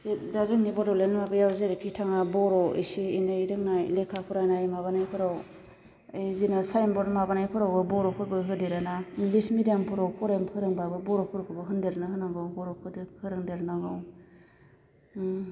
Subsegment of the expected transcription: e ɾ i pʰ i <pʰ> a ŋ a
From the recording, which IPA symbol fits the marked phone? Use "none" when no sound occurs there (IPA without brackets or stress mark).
tʰ